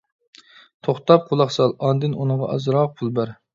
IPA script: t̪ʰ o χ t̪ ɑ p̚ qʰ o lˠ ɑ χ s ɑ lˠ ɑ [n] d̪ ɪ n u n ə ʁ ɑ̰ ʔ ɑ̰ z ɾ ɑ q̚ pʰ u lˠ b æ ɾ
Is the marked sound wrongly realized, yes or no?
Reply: no